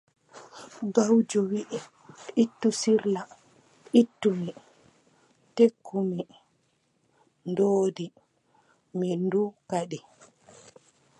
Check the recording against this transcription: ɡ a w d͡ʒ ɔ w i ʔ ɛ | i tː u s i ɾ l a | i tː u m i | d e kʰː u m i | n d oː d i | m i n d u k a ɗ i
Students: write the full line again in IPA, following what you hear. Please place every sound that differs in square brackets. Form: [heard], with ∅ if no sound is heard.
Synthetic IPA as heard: ɡ a w d͡ʒ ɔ w i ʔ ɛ | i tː u s i ɾ l a | i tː u m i | [t] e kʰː u m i | n d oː d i | m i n d u k a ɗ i